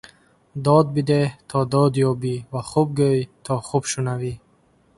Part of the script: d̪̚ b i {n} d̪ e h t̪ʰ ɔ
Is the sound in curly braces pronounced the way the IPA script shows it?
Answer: no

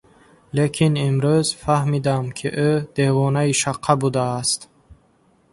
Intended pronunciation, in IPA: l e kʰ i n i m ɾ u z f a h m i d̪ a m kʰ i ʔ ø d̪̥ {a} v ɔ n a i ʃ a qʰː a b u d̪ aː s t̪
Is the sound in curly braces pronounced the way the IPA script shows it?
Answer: no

